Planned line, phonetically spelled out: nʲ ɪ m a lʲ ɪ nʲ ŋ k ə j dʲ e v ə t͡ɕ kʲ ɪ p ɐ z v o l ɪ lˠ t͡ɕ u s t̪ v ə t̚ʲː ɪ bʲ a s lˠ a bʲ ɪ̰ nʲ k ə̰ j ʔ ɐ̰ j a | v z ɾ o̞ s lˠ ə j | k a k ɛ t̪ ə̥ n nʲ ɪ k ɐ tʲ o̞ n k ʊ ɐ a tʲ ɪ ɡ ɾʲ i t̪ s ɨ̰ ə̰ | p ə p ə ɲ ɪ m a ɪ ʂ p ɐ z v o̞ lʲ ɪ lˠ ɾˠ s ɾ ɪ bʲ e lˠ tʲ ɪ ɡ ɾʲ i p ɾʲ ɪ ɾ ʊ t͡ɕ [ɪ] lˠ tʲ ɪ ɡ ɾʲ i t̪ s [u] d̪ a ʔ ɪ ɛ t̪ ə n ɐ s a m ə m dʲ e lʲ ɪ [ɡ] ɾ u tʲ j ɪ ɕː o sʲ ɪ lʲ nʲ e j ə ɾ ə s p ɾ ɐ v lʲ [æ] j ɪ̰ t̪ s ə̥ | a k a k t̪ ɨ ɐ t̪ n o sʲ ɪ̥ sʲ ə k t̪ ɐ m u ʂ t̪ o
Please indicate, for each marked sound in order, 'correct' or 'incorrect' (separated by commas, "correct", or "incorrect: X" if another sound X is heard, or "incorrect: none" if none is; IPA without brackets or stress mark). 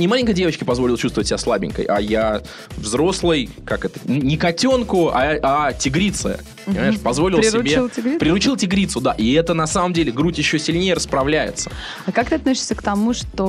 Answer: incorrect: i, incorrect: ʊ, correct, correct